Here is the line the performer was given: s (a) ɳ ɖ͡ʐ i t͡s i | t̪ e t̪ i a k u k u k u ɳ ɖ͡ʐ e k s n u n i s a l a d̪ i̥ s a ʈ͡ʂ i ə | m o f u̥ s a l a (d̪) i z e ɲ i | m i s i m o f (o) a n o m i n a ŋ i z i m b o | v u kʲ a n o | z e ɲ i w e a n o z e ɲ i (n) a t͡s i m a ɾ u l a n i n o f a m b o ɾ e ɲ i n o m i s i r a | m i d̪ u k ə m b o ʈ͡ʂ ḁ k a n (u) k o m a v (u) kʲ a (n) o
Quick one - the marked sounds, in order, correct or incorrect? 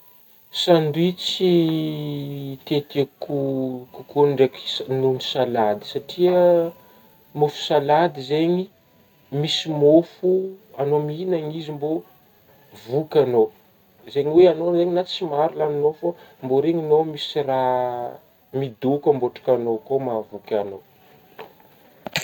correct, correct, incorrect: u, correct, incorrect: o, correct, correct

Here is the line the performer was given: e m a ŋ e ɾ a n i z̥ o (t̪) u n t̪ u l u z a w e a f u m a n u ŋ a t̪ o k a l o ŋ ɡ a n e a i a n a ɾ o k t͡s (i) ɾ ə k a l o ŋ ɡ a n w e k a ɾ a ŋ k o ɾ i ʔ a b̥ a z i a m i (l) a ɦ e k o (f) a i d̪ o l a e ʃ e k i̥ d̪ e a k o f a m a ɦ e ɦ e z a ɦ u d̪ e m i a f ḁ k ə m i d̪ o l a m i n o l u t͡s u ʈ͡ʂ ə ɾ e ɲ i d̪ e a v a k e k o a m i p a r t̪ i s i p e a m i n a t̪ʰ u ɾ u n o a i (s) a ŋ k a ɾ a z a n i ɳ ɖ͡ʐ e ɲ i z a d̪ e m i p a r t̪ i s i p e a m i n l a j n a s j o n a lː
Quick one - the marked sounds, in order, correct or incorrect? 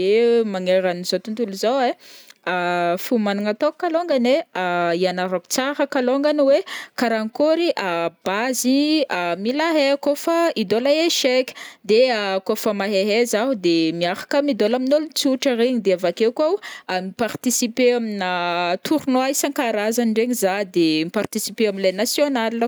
correct, incorrect: a, correct, correct, correct

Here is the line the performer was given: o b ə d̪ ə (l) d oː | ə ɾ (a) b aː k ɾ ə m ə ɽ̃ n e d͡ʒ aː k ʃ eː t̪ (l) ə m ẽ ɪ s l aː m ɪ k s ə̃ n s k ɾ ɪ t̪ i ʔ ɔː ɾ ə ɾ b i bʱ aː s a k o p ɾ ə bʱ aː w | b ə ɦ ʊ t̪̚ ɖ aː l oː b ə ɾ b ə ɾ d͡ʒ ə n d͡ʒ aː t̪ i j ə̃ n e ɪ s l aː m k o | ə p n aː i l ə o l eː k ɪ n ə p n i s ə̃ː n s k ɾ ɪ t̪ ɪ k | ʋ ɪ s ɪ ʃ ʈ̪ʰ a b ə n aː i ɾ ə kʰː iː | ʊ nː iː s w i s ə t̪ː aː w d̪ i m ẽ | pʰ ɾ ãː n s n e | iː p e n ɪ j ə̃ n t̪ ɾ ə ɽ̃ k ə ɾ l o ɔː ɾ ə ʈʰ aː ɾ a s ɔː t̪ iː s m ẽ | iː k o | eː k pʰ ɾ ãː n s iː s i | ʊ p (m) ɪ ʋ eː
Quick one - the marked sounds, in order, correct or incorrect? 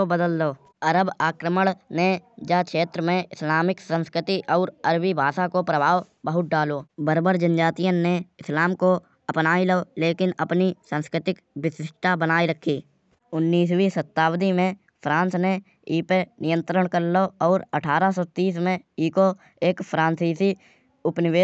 correct, incorrect: ə, incorrect: ɾ, incorrect: n

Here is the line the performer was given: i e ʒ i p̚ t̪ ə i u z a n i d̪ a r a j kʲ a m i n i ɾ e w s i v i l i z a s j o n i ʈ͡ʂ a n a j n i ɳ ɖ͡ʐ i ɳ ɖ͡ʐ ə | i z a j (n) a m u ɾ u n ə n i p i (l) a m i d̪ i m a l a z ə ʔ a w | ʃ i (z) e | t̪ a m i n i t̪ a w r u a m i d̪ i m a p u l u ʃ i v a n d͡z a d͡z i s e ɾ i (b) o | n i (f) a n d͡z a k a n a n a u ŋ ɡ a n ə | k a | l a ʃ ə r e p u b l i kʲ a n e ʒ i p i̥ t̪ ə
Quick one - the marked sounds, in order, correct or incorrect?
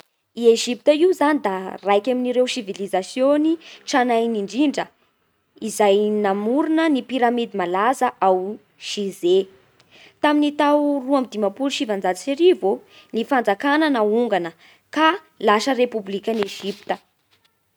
correct, incorrect: ɾ, correct, incorrect: v, correct

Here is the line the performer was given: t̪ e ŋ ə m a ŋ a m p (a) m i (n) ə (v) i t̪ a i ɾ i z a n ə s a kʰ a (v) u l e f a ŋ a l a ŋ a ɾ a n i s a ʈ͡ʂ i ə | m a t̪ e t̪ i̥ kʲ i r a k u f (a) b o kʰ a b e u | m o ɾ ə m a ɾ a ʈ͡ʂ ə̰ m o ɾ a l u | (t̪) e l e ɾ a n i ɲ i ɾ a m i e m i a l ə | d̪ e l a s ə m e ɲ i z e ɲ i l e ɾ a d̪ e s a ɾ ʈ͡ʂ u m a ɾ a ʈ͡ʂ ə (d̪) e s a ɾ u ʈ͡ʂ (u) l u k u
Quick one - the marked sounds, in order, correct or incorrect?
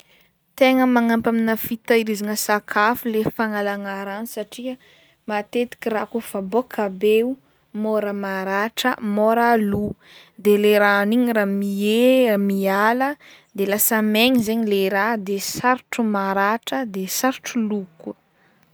correct, correct, incorrect: f, incorrect: f, correct, incorrect: d̪, correct, correct

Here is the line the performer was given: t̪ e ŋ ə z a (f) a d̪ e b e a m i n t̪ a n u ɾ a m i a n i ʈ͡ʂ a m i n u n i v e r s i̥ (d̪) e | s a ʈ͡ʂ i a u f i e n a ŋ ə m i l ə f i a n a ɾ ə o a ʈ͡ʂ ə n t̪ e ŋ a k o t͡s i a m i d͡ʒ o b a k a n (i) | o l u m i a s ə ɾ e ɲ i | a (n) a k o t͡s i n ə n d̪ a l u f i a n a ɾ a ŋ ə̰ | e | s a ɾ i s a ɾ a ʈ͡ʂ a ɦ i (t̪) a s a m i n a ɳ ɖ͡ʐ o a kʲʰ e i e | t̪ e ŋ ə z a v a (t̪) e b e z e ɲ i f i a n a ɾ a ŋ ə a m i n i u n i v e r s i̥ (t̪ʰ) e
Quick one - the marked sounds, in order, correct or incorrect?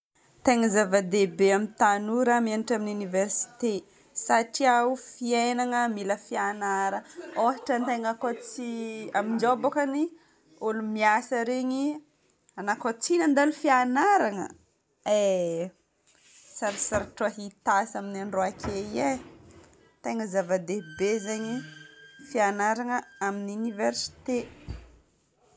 incorrect: v, incorrect: t̪, correct, correct, correct, incorrect: d̪, incorrect: t̪

